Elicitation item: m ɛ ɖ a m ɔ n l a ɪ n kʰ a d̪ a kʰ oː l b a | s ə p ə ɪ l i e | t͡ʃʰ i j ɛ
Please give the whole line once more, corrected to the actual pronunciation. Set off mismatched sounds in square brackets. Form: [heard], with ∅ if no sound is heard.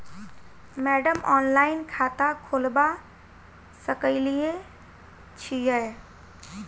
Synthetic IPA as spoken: m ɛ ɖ [ə] m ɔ n l a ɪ n kʰ a [t̪] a kʰ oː l b a | s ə [k] ə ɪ l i e | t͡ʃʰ i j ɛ

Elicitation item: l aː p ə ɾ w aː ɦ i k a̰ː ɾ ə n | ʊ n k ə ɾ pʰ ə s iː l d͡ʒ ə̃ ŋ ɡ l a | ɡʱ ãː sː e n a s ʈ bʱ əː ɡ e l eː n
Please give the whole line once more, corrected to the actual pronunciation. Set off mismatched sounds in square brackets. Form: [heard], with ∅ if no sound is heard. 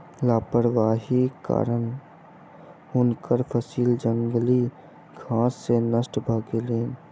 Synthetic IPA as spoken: l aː p ə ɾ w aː ɦ i k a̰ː ɾ ə n | ʊ n k ə ɾ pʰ ə s iː l d͡ʒ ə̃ ŋ ɡ l [i] | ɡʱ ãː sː e n [ə] s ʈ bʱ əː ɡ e l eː n

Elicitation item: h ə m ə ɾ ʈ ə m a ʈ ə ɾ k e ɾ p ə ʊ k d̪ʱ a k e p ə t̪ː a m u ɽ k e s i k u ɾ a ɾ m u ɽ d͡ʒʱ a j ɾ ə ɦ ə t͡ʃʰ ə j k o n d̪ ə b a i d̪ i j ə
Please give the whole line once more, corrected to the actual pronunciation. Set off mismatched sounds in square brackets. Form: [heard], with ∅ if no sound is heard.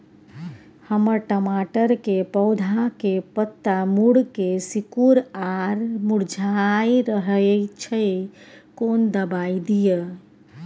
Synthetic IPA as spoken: h ə m ə ɾ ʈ ə m a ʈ ə ɾ k e [∅] p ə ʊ [∅] d̪ʱ a k e p ə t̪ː a m u ɽ k e s i k u ɾ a ɾ m u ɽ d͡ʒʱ a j ɾ ə ɦ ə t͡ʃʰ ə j k o n d̪ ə b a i d̪ i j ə

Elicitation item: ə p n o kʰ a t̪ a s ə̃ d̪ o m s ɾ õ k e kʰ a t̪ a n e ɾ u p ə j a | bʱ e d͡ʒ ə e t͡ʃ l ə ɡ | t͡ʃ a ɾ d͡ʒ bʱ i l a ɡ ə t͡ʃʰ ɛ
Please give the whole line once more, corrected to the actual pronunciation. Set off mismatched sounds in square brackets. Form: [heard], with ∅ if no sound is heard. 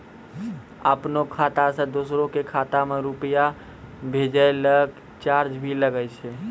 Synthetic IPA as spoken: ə p n o kʰ a t̪ a s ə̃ d̪ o [∅] s ɾ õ k e kʰ a t̪ a [m] e ɾ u p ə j a | bʱ e d͡ʒ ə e [∅] l ə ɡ | t͡ʃ a ɾ d͡ʒ bʱ i l [ə] ɡ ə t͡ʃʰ ɛ

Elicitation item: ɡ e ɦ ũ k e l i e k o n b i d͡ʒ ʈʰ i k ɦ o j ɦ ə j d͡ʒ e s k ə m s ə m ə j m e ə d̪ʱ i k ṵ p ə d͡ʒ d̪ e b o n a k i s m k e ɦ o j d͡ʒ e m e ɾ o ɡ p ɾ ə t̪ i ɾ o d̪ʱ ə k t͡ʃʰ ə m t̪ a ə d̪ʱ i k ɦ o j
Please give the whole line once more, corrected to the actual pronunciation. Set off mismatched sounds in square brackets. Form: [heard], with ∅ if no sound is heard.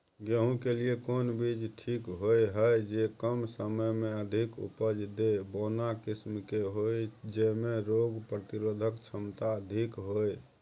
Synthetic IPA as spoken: ɡ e ɦ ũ k e l i e k o n b i d͡ʒ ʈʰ i k ɦ o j ɦ ə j d͡ʒ e [∅] k ə m s ə m ə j m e ə d̪ʱ i k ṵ p ə d͡ʒ d̪ e b o n a k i s m k e ɦ o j d͡ʒ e m e ɾ o ɡ p ɾ ə t̪ i ɾ o d̪ʱ ə k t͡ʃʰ ə m t̪ a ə d̪ʱ i k ɦ o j

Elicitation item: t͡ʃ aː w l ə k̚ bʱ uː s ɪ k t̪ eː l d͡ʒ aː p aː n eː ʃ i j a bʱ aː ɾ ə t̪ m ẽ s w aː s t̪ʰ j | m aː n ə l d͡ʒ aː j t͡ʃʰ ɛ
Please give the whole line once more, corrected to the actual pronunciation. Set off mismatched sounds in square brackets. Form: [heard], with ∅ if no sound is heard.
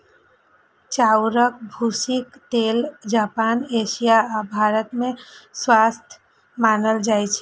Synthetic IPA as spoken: t͡ʃ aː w [ɾ] ə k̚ bʱ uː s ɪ k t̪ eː l d͡ʒ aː p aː n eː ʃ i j a bʱ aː ɾ ə t̪ m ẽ s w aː s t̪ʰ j | m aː n ə l d͡ʒ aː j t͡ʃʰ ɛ

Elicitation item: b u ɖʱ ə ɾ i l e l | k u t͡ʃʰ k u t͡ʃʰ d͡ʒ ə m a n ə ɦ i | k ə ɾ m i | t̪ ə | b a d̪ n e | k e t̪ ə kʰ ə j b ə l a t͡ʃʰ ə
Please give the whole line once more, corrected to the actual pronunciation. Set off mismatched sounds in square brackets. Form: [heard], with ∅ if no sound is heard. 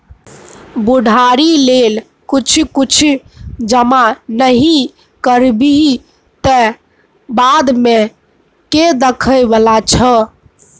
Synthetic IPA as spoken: b u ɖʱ [a] ɾ i l e l | k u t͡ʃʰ k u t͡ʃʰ d͡ʒ ə m a n ə ɦ i | k ə ɾ [b] i | t̪ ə | b a d̪ [m] e | k e [d̪] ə kʰ ə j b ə l a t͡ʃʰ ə

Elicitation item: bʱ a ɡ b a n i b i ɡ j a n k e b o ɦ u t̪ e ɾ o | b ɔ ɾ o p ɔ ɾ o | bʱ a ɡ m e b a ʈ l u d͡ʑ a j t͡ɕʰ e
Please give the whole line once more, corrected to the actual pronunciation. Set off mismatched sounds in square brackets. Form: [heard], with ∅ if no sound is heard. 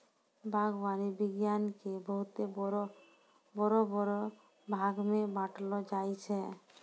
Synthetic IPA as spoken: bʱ a ɡ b a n i b i ɡ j a n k e b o ɦ u t̪ e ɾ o | b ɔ ɾ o [b] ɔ ɾ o | bʱ a ɡ m e b a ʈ l [o] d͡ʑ a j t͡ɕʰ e

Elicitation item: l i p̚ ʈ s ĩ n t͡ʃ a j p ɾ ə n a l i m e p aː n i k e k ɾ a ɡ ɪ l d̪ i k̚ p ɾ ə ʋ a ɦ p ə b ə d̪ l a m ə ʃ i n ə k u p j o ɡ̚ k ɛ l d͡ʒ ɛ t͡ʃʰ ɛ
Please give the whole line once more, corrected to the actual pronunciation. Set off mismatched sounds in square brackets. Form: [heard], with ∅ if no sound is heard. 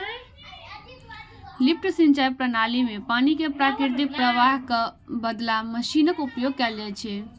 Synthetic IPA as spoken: l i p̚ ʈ s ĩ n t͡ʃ a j p ɾ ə n a l i m e p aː n i k e [p] ɾ a [k] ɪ [ɾ] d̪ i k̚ p ɾ ə ʋ a ɦ [k] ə b ə d̪ l a m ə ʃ i n ə k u p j o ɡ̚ k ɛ l d͡ʒ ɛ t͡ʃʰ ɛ

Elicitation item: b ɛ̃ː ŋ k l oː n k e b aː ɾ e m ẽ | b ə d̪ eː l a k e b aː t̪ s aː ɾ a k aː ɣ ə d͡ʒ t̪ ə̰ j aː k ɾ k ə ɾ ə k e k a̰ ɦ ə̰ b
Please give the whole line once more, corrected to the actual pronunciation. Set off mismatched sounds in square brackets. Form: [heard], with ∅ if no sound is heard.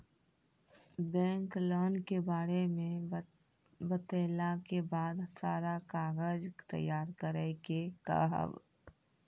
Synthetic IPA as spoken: b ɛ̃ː ŋ k l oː n k e b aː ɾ e m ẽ | b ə [t̪] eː l a k e b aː [d̪] s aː ɾ a k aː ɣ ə d͡ʒ t̪ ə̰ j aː [∅] ɾ k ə ɾ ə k e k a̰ ɦ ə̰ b

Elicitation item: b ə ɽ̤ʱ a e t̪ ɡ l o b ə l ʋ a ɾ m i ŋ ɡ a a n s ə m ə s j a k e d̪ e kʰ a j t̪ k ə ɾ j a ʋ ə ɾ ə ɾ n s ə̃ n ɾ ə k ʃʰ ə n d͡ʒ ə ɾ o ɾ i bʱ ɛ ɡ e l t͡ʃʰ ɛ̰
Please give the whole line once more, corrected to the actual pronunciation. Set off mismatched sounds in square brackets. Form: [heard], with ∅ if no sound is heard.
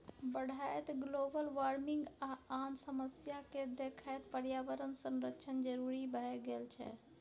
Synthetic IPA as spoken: b ə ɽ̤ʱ a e t̪ ɡ l o b ə l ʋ a ɾ m i ŋ ɡ a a n s ə m ə s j a k e d̪ e kʰ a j t̪ [p] ə ɾ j a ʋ ə ɾ ə [∅] n s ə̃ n ɾ ə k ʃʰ ə n d͡ʒ ə ɾ [u] ɾ i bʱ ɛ ɡ e l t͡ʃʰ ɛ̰

